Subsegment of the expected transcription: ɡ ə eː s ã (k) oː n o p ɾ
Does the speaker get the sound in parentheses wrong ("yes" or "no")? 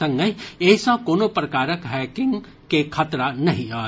no